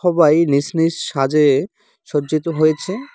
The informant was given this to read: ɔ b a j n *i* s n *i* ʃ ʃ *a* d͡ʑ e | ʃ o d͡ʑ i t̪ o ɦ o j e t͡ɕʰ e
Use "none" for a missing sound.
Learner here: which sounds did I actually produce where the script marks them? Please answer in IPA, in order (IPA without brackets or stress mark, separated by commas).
i, i, a